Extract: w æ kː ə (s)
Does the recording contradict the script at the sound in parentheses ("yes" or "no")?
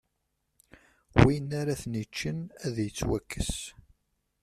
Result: no